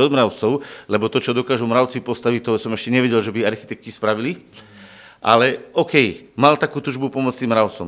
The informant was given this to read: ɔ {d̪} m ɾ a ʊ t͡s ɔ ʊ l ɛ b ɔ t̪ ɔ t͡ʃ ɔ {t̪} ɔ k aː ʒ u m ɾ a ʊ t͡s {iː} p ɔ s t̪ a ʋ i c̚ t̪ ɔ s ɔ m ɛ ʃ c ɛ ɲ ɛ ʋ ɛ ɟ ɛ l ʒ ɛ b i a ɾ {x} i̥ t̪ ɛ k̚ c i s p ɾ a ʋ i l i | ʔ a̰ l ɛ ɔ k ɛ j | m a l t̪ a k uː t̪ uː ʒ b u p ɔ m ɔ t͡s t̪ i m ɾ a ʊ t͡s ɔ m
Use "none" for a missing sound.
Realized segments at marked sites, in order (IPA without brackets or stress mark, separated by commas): d̪, d̪, i, x